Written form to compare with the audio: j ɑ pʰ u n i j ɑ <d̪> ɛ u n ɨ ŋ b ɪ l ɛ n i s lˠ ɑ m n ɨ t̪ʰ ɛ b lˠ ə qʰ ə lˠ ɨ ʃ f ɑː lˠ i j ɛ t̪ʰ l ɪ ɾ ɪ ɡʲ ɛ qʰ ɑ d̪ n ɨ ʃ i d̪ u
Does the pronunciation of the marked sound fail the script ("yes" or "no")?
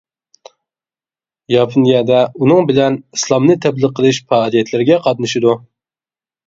no